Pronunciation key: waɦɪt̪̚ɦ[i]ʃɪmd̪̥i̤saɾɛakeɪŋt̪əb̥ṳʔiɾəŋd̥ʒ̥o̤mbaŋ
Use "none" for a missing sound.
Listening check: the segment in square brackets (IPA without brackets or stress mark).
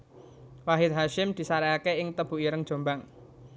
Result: a